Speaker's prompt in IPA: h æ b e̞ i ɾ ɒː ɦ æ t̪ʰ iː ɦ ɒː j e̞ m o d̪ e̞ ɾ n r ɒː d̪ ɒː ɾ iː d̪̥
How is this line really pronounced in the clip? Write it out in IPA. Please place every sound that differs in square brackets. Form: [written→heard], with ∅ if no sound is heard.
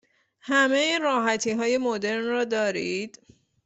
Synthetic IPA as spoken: h æ [b→m] e̞ i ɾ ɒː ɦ æ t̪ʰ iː ɦ ɒː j e̞ m o d̪ e̞ ɾ n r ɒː d̪ ɒː ɾ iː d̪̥